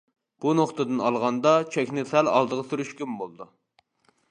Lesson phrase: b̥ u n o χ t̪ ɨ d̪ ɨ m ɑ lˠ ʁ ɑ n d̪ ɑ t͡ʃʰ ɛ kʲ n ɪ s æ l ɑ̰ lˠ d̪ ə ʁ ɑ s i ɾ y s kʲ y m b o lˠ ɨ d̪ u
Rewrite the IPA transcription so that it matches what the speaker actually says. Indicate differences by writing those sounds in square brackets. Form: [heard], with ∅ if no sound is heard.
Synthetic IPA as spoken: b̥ u n o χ t̪ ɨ d̪ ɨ [n] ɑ lˠ ʁ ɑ n d̪ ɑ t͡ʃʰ ɛ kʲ n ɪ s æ l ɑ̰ lˠ d̪ ə ʁ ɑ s [y] ɾ y [ʃ] kʲ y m b o lˠ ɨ d̪ u